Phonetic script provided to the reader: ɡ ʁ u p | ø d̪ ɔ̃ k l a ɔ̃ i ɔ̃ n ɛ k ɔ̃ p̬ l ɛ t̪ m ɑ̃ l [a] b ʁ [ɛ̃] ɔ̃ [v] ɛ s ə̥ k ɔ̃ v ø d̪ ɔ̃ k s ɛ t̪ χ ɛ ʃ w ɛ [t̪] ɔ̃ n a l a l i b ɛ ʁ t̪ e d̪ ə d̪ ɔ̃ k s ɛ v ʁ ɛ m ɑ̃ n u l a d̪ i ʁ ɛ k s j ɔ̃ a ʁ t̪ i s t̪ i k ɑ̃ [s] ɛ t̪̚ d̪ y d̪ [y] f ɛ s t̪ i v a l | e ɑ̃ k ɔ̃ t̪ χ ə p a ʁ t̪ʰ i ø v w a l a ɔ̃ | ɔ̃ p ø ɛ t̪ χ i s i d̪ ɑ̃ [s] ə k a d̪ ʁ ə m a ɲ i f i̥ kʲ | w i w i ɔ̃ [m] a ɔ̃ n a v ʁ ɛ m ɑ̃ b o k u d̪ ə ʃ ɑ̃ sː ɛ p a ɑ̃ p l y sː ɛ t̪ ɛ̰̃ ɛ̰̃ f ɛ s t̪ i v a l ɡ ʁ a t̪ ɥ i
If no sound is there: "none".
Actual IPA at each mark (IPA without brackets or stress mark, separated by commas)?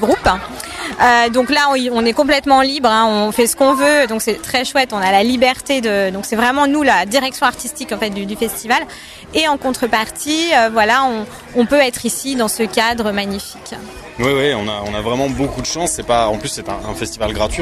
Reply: i, ɛ̃, f, t̪, f, y, s, n